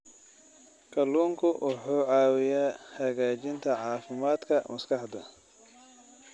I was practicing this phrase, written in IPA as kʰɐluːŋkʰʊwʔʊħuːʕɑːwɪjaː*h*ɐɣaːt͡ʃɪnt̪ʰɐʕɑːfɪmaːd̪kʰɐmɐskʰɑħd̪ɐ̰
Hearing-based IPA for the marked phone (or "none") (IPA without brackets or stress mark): h